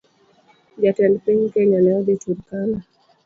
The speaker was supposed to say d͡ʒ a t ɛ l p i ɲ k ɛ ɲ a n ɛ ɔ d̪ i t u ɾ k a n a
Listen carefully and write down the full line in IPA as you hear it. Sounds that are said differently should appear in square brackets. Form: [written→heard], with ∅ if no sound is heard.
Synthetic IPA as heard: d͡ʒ a t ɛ l p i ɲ k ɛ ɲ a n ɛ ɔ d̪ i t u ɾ k a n a